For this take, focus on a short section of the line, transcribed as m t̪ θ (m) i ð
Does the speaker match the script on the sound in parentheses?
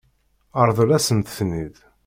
no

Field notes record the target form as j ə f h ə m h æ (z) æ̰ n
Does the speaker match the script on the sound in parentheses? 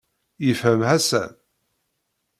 no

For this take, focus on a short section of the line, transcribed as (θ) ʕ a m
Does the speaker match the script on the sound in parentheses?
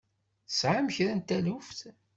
no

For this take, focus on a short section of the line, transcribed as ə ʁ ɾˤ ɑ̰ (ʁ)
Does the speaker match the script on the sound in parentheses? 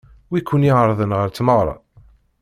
no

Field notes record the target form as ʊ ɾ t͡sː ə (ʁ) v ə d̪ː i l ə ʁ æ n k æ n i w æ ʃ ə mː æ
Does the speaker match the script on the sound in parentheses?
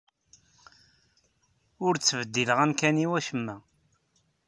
no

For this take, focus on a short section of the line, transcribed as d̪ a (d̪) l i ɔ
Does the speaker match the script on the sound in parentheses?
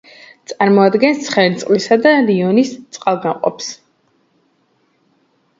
no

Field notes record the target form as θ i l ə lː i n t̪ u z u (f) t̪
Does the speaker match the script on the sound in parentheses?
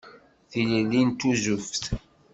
yes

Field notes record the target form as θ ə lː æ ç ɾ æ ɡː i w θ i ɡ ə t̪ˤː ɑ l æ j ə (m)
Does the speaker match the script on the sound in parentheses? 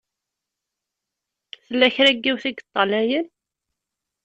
no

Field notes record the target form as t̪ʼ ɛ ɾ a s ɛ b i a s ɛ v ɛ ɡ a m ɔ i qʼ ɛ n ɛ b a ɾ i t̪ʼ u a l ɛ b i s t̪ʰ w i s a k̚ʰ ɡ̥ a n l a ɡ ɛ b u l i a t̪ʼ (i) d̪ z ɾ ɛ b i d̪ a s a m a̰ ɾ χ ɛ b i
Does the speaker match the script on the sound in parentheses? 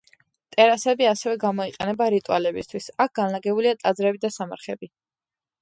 no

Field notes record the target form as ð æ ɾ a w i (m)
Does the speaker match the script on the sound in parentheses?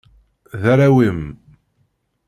yes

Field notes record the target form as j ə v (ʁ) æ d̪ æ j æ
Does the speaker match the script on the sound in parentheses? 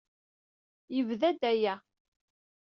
no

